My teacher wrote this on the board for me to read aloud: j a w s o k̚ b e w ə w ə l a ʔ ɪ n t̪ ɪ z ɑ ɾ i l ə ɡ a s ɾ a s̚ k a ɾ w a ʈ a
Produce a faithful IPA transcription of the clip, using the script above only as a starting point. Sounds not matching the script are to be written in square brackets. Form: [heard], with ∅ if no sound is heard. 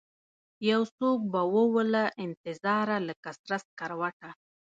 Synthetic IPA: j a w s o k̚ b [a] w ə w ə l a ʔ ɪ n t̪ ɪ z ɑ ɾ [a] l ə [k] a s ɾ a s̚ k a ɾ w a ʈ a